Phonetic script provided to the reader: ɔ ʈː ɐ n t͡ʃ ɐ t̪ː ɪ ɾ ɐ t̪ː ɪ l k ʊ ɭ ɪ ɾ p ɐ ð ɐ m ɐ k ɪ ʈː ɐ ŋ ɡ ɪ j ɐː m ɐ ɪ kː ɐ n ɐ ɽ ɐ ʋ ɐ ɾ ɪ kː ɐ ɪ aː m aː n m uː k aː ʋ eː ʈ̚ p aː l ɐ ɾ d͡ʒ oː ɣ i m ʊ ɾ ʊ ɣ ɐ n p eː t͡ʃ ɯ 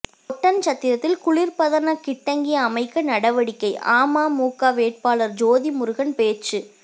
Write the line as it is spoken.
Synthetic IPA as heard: ɔ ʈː ɐ n t͡ʃ ɐ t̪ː ɪ ɾ ɐ t̪ː ɪ l k ʊ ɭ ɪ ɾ p ɐ ð ɐ n ɐ k ɪ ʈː ɐ ŋ ɡ ɪ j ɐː m ɐ ɪ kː ɐ n ɐ ɽ ɐ ʋ ɐ ɽ ɪ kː ɐ ɪ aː m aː m uː k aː ʋ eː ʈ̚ p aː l ɐ ɾ d͡ʒ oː ð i m ʊ ɾ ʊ ɣ ɐ n p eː t͡ʃ ɯ